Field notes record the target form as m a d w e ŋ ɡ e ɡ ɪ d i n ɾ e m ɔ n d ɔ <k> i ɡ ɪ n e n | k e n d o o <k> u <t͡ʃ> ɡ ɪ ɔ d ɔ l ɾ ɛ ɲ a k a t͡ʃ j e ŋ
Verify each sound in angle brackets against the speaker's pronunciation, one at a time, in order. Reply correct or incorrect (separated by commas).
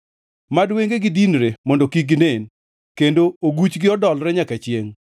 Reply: correct, incorrect, correct